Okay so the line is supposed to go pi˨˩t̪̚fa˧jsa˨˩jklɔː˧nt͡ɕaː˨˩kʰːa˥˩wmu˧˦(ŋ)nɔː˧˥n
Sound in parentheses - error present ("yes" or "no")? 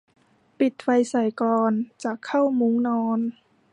no